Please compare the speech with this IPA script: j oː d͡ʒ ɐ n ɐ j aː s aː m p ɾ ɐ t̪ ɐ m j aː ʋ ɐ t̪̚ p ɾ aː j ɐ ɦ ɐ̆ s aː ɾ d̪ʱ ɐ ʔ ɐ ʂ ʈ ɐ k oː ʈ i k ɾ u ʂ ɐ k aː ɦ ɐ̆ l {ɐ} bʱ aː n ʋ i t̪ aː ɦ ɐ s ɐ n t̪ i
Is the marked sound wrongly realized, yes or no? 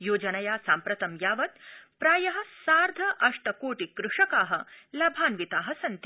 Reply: no